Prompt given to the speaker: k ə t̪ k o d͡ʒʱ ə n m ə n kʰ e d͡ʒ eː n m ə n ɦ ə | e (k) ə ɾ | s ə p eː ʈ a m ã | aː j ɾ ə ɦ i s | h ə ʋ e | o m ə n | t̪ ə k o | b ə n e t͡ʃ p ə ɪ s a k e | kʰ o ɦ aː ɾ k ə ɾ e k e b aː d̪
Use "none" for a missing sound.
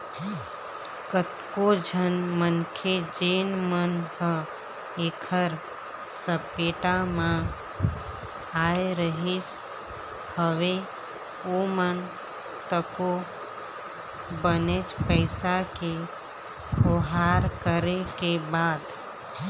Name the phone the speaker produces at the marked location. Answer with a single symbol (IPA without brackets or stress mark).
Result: kʰ